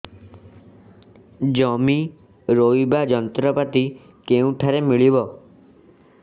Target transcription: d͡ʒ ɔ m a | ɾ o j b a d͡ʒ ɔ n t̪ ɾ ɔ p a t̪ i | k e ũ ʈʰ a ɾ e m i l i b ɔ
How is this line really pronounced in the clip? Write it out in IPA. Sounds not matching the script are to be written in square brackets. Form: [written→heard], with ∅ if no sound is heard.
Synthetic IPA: d͡ʒ ɔ m [a→i] | ɾ o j b a d͡ʒ ɔ n t̪ ɾ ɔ p a t̪ i | k e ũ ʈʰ a ɾ e m i [l→ɭ] i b ɔ